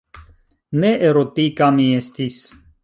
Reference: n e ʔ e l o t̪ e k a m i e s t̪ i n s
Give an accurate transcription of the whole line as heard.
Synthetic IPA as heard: n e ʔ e ɾ o t̪ i k a m i e s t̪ i s